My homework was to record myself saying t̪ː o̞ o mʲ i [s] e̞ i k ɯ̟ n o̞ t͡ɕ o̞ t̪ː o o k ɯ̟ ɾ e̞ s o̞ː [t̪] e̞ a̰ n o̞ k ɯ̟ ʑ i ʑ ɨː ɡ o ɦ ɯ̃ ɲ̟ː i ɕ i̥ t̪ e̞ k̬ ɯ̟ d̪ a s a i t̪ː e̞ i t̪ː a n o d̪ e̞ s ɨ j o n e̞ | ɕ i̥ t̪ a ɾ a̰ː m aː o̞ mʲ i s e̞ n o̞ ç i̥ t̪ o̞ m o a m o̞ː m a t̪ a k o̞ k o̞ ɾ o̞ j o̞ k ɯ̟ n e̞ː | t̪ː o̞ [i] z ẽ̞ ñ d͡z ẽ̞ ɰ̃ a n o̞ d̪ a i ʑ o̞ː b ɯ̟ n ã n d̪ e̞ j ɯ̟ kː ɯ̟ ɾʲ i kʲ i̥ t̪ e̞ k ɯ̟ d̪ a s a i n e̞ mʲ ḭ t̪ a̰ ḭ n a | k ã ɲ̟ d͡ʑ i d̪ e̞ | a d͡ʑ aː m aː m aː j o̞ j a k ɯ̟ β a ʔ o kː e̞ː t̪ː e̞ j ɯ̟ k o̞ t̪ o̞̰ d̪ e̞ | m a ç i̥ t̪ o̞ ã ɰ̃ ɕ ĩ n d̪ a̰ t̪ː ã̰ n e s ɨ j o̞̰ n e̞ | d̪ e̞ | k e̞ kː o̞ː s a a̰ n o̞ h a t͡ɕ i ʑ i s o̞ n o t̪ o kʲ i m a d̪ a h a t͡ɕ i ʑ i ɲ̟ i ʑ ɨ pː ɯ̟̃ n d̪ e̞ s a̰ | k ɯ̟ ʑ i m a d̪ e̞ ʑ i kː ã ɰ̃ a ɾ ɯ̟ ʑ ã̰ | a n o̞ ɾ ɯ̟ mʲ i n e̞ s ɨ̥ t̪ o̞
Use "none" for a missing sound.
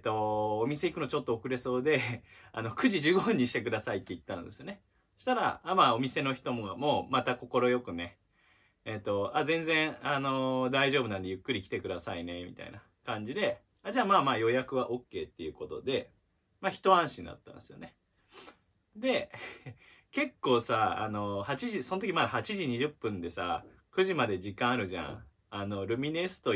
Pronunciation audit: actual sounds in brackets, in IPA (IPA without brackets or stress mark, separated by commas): s, d̪, a